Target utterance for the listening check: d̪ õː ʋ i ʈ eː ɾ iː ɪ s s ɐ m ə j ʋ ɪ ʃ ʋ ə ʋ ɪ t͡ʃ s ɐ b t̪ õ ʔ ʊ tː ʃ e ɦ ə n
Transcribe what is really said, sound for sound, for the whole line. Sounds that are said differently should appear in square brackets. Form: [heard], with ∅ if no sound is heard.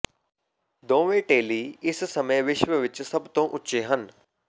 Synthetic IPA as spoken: d̪ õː ʋ [e] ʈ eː [l] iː ɪ s s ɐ m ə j ʋ ɪ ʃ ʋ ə ʋ ɪ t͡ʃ s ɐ b t̪ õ ʔ ʊ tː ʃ e ɦ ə n